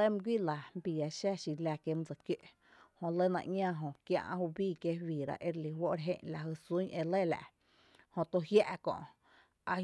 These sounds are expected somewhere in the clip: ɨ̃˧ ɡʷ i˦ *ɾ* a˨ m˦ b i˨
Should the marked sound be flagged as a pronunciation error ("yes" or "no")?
yes